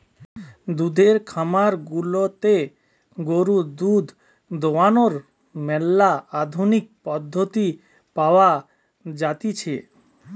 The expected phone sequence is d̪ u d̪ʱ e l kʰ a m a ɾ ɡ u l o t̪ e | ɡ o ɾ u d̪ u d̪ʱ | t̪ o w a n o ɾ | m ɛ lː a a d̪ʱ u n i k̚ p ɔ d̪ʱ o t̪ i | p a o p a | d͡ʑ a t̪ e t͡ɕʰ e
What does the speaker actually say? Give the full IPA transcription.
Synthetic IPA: d̪ u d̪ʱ e ɾ kʰ a m a ɾ ɡ u l o t̪ e | ɡ o ɾ u d̪ u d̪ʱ | d̪ o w a n o ɾ | m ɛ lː a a d̪ʱ u n i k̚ p ɔ d̪ʱː o t̪ i | p a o a | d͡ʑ a t̪ i t͡ɕʰ e